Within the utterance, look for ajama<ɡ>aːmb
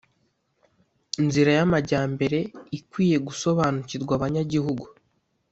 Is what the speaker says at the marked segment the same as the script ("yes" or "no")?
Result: no